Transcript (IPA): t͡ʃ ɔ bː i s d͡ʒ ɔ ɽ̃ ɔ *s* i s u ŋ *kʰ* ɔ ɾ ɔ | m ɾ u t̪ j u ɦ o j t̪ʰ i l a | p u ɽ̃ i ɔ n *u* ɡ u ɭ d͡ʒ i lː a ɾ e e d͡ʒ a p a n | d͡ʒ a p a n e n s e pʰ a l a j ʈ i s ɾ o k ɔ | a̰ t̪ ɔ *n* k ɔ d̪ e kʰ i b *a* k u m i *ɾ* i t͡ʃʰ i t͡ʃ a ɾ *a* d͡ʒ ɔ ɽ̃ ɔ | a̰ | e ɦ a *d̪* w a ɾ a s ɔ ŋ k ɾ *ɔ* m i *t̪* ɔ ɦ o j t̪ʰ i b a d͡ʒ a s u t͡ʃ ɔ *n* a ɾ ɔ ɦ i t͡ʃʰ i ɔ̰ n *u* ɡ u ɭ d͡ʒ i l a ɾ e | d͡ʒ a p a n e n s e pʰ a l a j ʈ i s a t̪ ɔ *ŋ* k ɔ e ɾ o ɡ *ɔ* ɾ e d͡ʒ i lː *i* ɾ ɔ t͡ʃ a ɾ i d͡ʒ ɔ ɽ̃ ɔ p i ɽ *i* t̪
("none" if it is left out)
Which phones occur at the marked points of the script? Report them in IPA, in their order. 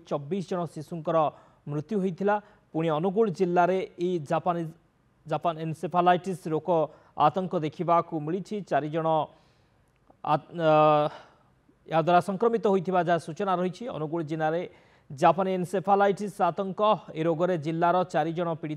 s, k, u, ŋ, a, ɭ, i, d̪, ɔ, t̪, n, u, ŋ, ɔ, a, i

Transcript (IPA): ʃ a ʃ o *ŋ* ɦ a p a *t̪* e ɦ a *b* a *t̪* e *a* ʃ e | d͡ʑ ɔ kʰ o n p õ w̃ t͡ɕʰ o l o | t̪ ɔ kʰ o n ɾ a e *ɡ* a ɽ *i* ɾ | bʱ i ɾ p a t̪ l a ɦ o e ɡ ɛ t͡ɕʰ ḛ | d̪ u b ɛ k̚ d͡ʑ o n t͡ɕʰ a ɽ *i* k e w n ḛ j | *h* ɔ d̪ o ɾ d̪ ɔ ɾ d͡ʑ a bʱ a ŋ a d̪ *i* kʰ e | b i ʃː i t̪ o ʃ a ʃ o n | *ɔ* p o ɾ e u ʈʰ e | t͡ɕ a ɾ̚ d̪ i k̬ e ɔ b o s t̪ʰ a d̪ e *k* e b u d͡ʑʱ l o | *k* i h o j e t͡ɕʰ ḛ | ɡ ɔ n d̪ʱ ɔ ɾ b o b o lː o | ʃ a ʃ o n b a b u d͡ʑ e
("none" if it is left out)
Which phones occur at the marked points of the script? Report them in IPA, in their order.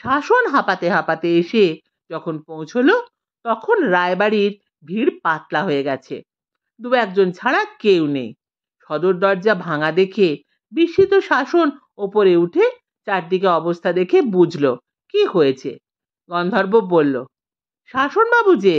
n, t̪, p, t̪, e, b, i, a, ʃ, e, o, kʰ, k

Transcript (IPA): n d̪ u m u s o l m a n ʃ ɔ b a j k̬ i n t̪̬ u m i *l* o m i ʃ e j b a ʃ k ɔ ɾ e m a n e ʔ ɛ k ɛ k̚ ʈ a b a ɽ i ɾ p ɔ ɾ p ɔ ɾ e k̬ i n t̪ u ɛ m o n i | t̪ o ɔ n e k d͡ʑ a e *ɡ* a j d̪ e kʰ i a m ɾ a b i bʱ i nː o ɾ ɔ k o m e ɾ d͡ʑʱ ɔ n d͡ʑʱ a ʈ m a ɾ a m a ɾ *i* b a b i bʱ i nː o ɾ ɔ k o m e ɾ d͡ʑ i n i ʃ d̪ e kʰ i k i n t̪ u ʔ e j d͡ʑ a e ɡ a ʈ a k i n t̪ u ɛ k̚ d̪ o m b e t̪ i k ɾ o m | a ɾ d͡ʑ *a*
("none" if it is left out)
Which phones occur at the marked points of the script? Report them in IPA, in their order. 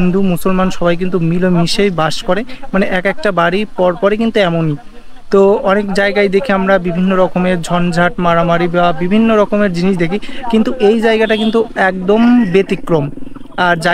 l, ɡ, i, a

